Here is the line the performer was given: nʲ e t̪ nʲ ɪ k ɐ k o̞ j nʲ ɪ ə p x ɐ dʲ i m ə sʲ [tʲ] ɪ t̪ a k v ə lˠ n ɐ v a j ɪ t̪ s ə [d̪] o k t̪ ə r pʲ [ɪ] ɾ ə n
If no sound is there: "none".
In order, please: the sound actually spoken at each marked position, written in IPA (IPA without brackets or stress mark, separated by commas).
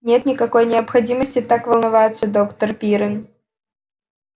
tʲ, d̪, i